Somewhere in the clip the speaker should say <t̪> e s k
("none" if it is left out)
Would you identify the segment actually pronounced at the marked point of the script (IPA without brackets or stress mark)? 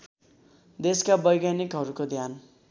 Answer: d̪